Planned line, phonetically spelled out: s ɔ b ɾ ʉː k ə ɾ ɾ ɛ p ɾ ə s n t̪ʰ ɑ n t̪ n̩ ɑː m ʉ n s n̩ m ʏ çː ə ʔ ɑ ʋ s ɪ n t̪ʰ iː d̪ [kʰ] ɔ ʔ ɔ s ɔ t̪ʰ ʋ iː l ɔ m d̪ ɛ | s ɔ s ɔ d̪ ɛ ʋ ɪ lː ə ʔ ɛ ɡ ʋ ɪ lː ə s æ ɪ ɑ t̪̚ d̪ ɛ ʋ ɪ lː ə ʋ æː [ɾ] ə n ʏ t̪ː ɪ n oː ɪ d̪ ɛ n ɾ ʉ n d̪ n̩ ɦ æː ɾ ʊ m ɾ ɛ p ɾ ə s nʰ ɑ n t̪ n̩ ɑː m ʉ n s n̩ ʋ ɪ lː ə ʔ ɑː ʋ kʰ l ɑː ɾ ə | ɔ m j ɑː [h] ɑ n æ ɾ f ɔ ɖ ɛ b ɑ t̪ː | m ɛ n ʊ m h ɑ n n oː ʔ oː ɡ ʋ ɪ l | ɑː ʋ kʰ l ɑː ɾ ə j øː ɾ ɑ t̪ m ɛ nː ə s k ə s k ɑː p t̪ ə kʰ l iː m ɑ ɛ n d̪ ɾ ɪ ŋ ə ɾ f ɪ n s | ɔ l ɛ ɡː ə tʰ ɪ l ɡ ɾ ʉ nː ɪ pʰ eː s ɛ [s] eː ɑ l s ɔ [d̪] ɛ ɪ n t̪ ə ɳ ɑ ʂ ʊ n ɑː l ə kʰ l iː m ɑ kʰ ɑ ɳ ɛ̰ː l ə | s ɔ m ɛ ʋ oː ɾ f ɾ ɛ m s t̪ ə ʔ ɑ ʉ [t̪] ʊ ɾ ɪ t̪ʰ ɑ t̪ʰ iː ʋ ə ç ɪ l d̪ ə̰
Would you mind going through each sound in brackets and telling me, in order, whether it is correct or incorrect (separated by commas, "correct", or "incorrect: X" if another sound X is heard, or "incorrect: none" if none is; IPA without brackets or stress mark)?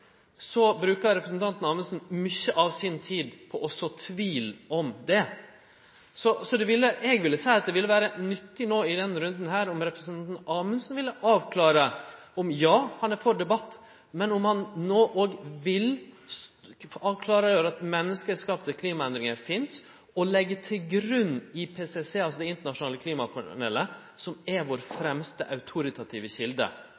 incorrect: pʰ, correct, correct, correct, correct, incorrect: t̪ʰ